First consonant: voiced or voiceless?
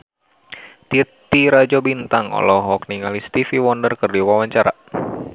voiceless